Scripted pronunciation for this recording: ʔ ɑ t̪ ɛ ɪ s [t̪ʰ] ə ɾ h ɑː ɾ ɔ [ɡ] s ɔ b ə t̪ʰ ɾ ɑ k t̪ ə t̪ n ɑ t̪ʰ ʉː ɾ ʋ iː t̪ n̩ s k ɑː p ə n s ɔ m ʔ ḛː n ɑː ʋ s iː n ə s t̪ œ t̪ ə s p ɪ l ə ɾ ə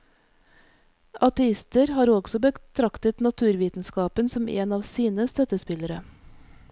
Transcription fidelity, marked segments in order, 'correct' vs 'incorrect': incorrect: t̪, correct

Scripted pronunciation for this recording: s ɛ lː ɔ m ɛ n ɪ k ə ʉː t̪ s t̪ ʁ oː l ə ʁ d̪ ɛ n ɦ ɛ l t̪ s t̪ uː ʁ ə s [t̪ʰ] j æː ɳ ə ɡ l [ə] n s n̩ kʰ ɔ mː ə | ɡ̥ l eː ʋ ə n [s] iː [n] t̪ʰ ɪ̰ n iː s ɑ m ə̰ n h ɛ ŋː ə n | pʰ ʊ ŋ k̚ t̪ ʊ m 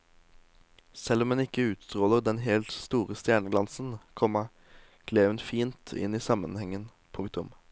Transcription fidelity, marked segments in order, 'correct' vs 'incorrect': incorrect: t̪, incorrect: ɑ, incorrect: f, correct

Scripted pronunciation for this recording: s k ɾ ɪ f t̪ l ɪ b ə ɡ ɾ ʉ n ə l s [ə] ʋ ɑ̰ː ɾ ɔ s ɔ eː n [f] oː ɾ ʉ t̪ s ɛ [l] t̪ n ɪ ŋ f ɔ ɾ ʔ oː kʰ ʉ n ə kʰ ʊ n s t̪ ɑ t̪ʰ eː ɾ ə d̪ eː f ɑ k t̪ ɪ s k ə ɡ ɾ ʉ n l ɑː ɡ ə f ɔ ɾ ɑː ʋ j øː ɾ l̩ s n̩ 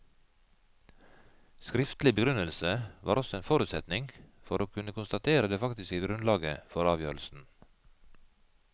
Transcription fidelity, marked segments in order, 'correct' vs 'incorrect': correct, correct, incorrect: none

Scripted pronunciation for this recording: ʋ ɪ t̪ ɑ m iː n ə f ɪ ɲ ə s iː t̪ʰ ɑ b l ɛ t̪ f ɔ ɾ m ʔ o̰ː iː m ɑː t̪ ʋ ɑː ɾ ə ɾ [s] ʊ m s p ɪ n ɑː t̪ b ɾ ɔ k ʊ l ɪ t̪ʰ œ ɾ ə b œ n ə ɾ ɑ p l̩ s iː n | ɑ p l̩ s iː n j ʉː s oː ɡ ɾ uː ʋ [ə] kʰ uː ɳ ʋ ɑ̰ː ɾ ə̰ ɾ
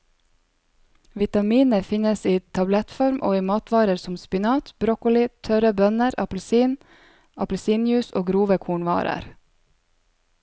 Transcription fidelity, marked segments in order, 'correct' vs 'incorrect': correct, correct

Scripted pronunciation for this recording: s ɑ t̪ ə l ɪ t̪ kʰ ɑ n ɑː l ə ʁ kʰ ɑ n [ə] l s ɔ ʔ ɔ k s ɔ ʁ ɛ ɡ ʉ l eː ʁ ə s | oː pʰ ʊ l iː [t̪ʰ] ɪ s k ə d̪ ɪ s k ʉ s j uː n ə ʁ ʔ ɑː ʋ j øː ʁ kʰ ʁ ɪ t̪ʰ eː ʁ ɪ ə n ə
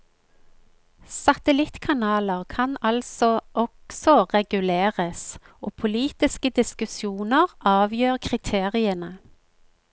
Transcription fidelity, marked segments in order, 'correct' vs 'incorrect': incorrect: ɑ, incorrect: t̪

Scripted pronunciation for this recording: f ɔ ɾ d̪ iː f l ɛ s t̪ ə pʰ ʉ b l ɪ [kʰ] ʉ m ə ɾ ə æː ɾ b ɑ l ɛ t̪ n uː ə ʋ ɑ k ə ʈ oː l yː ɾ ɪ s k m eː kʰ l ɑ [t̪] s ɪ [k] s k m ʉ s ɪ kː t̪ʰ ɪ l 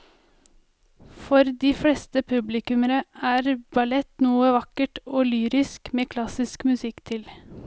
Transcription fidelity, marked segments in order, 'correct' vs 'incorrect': incorrect: k, incorrect: none, incorrect: none

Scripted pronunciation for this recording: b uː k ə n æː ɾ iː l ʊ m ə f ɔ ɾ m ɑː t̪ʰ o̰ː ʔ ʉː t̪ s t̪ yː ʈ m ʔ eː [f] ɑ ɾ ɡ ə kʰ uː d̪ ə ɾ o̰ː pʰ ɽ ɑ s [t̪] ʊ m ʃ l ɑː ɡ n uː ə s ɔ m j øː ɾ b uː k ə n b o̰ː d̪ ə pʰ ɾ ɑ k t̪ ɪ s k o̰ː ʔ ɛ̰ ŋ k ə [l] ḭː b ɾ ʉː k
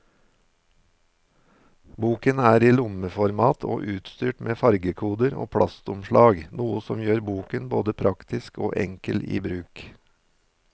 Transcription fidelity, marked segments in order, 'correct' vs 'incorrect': correct, correct, correct

